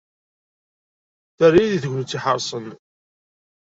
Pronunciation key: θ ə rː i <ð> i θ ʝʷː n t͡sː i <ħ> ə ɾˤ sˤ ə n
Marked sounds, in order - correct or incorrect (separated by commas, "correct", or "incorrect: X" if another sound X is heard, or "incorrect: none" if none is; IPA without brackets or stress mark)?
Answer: correct, correct